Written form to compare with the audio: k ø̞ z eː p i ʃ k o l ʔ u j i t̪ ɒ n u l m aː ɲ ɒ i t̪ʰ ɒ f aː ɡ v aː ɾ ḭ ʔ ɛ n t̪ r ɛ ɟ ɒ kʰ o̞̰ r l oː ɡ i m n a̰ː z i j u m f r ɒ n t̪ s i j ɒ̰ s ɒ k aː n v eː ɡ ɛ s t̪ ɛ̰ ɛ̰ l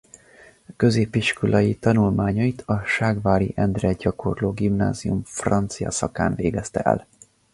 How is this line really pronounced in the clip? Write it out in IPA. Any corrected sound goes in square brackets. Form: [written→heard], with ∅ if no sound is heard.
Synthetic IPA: k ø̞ z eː p i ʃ k o l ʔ [u→ɒ] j i t̪ ɒ n u l m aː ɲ ɒ i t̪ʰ ɒ [f→ʃ] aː ɡ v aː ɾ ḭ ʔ ɛ n [t̪→d̪] r ɛ ɟ ɒ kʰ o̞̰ r l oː ɡ i m n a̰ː z i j u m f r ɒ n t̪ s i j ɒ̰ s ɒ k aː n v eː ɡ ɛ s t̪ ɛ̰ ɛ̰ l